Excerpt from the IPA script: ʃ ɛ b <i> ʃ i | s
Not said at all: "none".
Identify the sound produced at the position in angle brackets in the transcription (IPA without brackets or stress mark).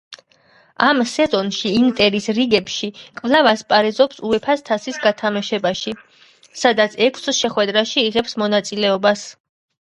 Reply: a